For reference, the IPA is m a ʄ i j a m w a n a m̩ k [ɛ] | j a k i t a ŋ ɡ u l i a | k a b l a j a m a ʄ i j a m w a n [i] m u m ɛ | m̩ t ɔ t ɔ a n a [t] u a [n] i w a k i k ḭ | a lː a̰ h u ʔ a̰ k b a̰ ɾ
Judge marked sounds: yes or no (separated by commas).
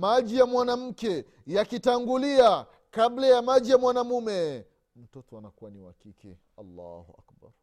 yes, no, no, yes